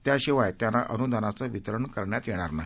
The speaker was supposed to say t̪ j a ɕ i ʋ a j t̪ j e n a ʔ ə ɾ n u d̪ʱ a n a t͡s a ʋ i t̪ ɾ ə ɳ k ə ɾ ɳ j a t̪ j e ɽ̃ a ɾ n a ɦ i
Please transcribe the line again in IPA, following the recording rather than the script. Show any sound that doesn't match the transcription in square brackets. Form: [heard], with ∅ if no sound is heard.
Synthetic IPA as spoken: t̪ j a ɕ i ʋ a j t̪ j [a] n a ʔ ə [∅] n u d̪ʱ a n a t͡s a ʋ i t̪ ɾ ə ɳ k ə ɾ ɳ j a t̪ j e ɽ̃ a ɾ n a ɦ i